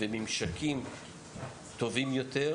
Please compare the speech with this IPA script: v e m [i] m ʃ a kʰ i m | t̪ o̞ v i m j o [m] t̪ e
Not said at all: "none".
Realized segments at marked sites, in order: i, none

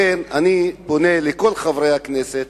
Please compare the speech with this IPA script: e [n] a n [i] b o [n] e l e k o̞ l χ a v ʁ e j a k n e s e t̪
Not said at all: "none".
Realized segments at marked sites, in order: n, i, n

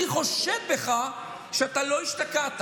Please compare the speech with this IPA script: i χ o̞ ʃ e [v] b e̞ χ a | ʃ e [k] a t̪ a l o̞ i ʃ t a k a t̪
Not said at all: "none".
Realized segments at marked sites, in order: v, none

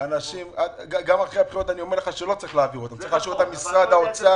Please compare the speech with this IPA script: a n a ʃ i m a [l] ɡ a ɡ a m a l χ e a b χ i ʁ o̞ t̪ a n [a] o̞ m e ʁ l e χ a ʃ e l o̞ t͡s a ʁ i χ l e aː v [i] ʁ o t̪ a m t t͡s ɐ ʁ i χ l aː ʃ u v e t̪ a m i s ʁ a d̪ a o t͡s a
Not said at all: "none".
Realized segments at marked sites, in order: none, i, i

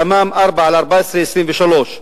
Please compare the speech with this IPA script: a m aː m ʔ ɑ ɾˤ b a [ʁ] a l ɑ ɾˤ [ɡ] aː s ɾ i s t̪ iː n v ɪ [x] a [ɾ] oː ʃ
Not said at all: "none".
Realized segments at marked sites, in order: ʕ, b, ʃ, l

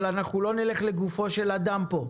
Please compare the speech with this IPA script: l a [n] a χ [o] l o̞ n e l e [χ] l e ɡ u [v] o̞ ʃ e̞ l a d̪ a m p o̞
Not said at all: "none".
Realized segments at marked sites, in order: n, u, χ, f

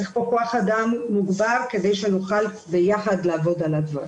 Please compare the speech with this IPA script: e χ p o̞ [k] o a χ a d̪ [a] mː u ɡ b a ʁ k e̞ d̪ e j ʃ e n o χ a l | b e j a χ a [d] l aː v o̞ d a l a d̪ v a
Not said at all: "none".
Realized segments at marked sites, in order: k, a, d

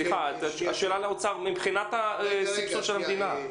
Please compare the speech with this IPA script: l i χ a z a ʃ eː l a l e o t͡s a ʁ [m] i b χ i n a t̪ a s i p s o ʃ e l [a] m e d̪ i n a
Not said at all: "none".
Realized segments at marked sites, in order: m, a

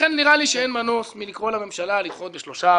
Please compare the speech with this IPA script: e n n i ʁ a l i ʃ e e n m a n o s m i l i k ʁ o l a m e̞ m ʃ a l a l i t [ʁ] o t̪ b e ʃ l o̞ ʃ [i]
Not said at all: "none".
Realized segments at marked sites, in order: χ, a

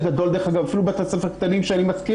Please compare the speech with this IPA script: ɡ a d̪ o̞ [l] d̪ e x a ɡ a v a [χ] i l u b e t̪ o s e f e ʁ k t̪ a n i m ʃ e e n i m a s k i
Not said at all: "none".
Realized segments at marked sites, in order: l, f

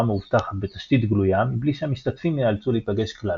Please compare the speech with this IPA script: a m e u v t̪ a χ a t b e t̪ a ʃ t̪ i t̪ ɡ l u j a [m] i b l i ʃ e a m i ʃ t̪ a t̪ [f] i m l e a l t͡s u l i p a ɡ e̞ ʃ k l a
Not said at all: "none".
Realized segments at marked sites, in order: m, f

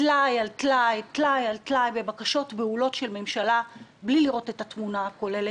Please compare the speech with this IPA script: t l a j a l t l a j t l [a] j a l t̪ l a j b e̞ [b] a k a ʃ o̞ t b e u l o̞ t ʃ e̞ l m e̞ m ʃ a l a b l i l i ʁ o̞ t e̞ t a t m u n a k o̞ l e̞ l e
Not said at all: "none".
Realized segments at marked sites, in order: a, b

